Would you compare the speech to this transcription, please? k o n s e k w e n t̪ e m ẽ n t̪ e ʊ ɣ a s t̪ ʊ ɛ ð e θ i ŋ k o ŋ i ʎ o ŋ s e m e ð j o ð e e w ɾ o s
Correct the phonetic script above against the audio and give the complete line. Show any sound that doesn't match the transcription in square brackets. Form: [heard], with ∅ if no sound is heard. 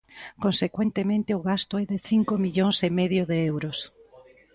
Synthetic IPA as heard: k o n s e k w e n t̪ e m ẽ n t̪ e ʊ ɣ a s t̪ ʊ ɛ ð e θ i ŋ k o [m] i ʎ o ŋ s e m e ð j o ð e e w ɾ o s